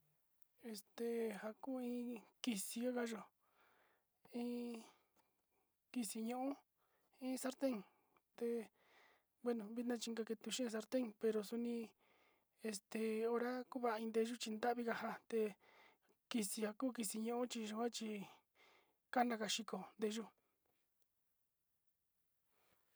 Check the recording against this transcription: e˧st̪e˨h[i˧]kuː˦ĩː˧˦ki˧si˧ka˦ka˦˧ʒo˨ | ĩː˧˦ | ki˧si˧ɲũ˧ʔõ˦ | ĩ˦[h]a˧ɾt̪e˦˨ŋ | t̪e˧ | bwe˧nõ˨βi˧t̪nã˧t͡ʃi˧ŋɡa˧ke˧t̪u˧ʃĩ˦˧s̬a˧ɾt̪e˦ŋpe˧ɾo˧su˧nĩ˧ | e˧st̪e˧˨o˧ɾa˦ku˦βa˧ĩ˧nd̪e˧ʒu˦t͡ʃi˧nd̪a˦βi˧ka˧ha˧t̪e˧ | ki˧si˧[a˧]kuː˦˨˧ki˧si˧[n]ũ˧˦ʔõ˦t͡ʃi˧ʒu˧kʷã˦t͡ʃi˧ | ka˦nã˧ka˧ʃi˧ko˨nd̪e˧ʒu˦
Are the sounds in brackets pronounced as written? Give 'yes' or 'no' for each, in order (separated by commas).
no, no, yes, no